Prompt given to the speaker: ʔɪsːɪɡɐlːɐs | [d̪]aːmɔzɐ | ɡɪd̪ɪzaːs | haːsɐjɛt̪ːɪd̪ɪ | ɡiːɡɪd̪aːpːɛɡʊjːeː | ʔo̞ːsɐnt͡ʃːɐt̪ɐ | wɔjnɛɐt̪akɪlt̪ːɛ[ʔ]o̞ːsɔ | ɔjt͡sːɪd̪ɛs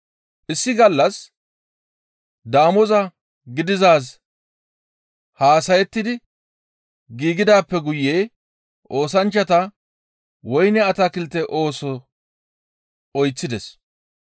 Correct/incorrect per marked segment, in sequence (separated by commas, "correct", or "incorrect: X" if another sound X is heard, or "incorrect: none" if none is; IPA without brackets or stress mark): correct, correct